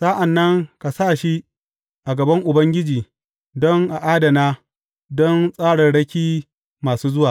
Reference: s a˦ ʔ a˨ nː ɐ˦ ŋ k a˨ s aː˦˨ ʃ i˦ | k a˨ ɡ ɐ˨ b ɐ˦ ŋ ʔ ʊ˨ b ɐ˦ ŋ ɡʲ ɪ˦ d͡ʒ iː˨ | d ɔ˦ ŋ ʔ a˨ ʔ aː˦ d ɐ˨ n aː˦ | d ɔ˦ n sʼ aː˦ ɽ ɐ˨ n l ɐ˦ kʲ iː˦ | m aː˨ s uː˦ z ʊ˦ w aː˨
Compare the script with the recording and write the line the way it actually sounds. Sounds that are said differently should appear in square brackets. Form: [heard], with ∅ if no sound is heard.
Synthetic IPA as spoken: s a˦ ʔ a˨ nː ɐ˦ ŋ k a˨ s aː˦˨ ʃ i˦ | [ʔ] a˨ ɡ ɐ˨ b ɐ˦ ŋ ʔ ʊ˨ b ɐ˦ ŋ ɡʲ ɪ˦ d͡ʒ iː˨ | d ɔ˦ ŋ ʔ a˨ ʔ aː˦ d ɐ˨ n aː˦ | d ɔ˦ n sʼ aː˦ ɽ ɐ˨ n [ɽ] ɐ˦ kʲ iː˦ | m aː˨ s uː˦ z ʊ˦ w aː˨